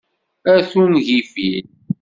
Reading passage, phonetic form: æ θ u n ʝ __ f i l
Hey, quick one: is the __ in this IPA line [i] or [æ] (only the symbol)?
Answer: i